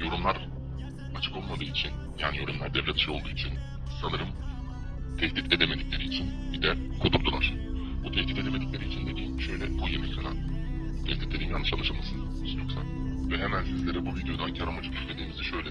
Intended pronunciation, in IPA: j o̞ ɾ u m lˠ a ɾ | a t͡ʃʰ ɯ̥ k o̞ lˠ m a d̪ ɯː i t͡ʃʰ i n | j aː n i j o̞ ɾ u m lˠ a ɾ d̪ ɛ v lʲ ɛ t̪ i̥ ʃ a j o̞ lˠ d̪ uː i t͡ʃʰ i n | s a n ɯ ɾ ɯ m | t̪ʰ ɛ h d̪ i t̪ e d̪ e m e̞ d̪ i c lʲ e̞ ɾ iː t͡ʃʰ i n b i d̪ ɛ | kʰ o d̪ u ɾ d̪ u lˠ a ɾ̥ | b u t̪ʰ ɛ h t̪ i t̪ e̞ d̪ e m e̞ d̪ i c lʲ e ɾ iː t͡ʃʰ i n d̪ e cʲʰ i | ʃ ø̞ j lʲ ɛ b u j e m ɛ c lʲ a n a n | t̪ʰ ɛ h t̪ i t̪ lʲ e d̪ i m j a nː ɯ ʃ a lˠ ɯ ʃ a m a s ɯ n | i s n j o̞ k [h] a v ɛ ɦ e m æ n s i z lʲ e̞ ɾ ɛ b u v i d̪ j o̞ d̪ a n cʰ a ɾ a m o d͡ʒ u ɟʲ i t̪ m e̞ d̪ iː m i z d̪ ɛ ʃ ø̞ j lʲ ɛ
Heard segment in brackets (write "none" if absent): s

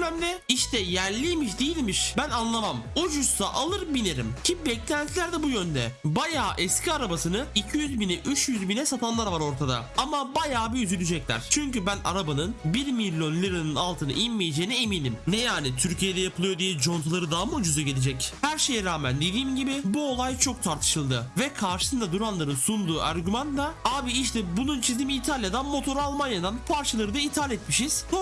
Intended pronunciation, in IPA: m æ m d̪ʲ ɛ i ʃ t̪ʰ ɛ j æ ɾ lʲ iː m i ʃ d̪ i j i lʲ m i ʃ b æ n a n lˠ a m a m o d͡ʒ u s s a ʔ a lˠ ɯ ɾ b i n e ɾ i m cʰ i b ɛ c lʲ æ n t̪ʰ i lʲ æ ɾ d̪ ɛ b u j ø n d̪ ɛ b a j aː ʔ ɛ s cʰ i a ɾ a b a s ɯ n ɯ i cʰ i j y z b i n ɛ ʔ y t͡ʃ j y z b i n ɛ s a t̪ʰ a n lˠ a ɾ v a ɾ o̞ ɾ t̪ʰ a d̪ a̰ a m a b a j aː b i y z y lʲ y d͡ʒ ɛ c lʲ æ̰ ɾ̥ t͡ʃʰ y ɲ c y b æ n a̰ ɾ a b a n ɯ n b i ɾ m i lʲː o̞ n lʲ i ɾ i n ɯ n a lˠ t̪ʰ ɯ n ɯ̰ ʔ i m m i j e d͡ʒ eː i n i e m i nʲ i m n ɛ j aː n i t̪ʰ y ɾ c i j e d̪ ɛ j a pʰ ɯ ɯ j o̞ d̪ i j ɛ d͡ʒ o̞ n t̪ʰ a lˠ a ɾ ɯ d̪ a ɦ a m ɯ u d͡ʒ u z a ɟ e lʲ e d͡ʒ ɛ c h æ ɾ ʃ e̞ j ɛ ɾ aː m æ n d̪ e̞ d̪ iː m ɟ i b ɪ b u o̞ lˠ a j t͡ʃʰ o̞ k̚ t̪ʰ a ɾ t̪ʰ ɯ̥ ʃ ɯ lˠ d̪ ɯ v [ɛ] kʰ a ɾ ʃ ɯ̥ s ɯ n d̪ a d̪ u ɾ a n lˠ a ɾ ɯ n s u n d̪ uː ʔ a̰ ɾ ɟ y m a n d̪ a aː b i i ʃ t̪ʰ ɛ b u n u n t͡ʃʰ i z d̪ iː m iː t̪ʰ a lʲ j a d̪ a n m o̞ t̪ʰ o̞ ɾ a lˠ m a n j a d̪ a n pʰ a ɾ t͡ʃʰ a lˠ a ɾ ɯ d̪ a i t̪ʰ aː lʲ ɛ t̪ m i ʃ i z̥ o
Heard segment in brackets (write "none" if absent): ɛ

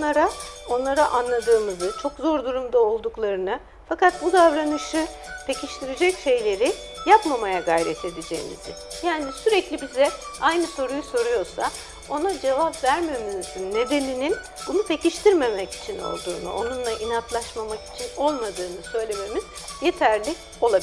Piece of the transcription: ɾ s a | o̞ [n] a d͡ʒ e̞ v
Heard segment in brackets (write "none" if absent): n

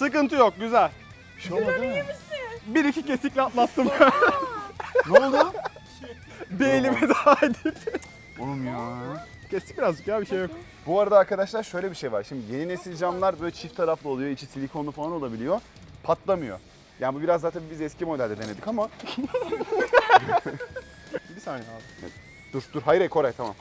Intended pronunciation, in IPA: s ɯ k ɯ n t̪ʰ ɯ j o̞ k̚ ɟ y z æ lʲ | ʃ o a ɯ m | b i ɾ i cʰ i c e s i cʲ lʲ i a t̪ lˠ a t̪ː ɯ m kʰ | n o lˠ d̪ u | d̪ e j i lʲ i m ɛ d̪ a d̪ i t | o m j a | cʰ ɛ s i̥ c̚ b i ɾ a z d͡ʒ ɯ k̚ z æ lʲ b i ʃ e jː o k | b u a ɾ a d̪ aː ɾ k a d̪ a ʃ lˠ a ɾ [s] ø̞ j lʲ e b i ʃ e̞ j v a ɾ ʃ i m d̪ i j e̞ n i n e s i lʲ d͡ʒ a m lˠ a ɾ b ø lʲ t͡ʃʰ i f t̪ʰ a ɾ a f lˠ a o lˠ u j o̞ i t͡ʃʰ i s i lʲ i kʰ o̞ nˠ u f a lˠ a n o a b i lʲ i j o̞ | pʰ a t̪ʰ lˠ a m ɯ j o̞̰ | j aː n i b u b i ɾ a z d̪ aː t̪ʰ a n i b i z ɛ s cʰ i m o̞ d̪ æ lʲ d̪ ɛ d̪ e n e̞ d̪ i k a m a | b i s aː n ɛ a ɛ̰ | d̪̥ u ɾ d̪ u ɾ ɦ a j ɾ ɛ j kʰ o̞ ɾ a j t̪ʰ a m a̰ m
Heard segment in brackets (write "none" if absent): ʃ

